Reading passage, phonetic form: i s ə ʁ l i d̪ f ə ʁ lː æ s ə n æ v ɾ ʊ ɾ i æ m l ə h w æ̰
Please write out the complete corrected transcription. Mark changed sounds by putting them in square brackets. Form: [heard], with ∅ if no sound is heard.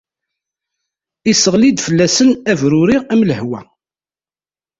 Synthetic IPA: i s ə ʁ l i d̪ f ə [∅] lː æ s ə n æ v ɾ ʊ ɾ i æ m l ə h w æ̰

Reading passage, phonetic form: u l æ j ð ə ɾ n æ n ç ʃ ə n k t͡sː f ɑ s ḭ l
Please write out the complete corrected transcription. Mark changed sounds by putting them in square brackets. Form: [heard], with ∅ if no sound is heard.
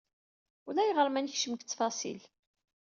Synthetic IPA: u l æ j [ʁ] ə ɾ [m] æ n ç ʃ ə [m] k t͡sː f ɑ s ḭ l

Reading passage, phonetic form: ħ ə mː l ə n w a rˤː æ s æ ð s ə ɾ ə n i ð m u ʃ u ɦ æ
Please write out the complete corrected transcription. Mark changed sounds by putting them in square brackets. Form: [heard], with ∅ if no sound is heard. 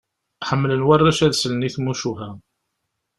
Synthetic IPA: ħ ə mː l ə n w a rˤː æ [ʃ] æ ð s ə [l] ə n i [θ] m u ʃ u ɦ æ

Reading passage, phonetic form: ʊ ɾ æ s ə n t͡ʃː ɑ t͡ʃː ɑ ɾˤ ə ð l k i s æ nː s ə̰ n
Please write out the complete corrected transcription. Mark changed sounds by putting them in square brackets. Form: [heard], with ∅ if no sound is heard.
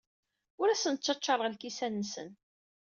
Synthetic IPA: ʊ ɾ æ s ə n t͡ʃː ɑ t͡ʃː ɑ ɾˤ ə [ʁ] l k i s æ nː s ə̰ n

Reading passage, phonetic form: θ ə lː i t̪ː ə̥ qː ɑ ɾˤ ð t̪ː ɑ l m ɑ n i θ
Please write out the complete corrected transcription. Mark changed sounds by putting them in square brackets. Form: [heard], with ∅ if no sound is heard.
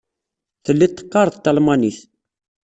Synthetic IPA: θ ə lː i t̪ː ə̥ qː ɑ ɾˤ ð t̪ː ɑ l m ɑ n i θ

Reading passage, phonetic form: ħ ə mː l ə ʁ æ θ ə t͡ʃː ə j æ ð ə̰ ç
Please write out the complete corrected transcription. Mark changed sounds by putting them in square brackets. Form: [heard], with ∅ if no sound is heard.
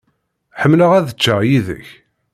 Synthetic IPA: ħ ə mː l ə ʁ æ [ð] ə t͡ʃː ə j [i] ð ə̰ ç

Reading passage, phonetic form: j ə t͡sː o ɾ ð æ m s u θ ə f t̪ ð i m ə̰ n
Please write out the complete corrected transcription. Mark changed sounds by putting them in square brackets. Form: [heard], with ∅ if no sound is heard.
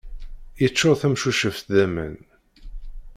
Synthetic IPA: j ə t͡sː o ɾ [θ] æ m [ʃ] u [ʃ] ə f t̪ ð [æ] m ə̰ n

